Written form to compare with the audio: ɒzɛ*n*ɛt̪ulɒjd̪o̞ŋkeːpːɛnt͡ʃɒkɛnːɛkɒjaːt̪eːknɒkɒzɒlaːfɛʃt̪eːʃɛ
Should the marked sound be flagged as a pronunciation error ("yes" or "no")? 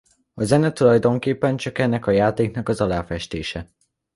no